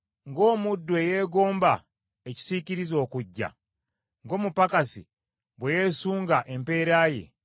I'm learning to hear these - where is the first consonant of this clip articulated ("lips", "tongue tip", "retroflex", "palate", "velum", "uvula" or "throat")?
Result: velum